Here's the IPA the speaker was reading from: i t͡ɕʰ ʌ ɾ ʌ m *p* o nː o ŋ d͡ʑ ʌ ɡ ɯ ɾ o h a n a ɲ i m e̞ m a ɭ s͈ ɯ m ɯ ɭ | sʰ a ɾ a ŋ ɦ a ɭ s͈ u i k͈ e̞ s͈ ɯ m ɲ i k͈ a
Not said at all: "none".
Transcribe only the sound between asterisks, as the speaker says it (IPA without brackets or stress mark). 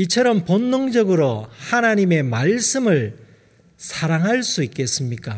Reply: p